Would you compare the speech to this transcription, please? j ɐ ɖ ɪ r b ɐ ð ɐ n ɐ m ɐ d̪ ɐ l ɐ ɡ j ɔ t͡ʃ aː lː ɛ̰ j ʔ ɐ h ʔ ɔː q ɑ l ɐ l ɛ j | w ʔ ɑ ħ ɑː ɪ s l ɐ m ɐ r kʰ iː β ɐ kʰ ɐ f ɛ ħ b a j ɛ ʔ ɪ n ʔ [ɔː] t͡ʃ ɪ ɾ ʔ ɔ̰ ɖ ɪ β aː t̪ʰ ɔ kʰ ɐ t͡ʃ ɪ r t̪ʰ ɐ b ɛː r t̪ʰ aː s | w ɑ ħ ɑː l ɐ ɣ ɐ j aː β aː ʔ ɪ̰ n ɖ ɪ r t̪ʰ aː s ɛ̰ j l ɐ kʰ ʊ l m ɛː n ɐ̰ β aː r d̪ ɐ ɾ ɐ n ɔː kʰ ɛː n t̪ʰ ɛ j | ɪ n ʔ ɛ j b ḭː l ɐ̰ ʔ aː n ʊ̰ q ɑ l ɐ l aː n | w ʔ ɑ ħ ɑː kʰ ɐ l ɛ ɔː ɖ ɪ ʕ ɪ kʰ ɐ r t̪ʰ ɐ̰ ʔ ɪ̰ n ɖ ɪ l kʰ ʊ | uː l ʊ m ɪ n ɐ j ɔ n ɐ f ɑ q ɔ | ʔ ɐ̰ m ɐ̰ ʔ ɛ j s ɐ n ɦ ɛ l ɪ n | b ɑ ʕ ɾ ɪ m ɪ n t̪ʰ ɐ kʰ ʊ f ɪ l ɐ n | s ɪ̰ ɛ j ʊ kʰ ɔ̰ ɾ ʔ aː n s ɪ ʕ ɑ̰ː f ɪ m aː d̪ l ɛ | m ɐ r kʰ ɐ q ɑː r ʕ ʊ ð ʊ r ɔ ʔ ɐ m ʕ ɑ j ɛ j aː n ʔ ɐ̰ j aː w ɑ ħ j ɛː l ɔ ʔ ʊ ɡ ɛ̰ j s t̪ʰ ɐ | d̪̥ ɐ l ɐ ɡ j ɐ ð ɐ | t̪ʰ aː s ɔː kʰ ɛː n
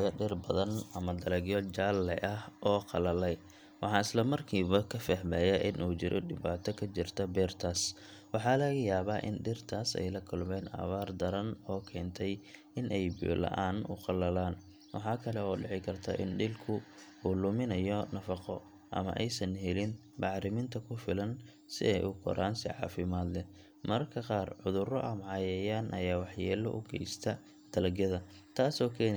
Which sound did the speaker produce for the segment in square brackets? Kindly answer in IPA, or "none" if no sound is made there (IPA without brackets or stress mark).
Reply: uː